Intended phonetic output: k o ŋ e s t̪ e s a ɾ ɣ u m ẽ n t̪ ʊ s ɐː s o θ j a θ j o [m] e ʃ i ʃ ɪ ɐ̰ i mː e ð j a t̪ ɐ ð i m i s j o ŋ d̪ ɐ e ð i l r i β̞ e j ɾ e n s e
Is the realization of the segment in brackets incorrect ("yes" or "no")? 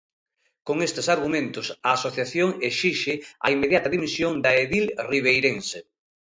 yes